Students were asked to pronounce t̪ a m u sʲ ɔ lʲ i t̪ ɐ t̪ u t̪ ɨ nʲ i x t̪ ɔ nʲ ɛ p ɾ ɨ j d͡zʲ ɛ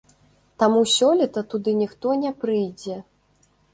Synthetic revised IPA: t̪ a m u sʲ ɔ lʲ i t̪ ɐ t̪ u d̪ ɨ nʲ i x t̪ ɔ nʲ ɛ p ɾ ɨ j d͡zʲ ɛ